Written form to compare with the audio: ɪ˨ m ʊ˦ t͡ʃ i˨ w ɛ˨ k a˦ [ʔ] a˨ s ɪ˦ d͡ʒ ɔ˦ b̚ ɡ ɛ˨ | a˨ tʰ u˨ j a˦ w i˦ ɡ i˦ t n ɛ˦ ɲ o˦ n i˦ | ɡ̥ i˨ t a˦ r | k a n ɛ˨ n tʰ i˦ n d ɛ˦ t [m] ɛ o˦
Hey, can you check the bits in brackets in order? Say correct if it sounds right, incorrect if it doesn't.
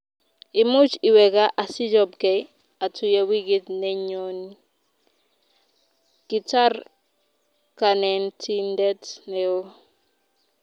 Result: correct, incorrect: n

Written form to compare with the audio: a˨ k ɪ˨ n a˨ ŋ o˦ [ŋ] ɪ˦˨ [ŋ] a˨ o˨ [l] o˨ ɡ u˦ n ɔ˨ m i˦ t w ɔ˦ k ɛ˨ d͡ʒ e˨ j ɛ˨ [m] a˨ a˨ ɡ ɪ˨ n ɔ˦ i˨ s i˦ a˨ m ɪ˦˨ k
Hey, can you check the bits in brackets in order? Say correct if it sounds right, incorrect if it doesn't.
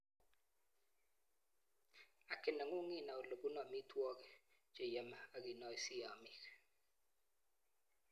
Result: correct, incorrect: n, correct, correct

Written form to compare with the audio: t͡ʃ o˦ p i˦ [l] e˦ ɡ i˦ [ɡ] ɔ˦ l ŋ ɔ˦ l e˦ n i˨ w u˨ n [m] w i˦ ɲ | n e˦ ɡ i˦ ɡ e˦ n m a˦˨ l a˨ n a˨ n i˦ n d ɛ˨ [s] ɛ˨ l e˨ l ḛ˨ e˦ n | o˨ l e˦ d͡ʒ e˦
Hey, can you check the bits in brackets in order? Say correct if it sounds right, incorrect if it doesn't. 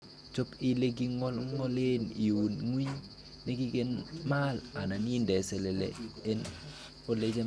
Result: correct, incorrect: ŋ, incorrect: ŋ, correct

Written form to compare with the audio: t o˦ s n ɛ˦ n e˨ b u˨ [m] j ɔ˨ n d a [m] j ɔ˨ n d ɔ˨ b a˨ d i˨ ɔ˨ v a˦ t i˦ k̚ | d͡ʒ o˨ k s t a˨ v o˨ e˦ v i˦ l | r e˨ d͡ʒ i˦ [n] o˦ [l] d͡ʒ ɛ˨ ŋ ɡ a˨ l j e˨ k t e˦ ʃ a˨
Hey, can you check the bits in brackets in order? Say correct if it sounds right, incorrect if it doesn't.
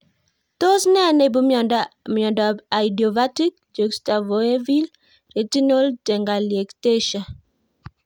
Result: correct, correct, correct, correct

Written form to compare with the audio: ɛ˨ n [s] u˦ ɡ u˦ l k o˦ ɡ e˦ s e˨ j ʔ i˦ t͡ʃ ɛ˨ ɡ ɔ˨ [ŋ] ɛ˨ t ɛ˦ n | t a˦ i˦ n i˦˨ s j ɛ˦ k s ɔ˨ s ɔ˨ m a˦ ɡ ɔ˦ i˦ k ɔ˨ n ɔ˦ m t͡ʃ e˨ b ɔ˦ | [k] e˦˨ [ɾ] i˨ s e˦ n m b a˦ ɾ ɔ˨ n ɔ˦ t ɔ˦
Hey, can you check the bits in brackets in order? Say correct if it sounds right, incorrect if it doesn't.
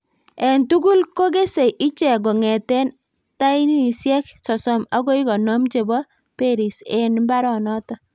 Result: incorrect: t, correct, incorrect: p, correct

